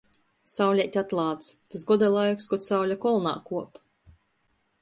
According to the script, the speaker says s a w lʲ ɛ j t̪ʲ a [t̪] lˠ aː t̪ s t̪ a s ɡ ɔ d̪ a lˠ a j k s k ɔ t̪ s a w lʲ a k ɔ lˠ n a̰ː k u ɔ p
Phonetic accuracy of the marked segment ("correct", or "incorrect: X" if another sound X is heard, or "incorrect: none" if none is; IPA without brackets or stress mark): correct